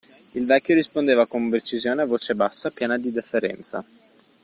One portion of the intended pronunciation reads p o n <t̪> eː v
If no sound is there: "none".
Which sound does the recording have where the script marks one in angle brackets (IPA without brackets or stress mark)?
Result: d̪